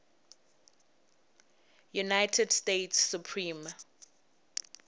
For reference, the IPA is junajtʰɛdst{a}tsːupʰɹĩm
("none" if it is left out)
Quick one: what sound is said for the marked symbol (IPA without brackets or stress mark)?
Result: e